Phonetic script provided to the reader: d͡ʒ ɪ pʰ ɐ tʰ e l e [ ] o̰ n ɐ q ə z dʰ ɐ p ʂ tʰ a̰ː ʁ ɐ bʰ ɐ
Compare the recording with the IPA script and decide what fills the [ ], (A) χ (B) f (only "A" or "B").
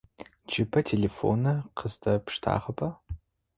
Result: B